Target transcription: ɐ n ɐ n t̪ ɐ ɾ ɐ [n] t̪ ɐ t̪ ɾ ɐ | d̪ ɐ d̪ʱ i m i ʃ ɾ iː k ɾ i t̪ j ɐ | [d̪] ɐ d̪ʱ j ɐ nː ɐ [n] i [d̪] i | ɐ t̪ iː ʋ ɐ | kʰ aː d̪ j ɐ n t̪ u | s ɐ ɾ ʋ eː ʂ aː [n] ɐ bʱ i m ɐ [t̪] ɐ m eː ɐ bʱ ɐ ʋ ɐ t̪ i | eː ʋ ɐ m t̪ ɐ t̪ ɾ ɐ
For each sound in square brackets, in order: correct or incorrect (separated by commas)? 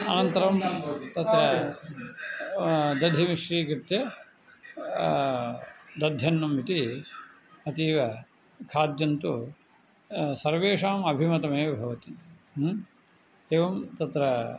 incorrect, correct, incorrect, incorrect, incorrect, correct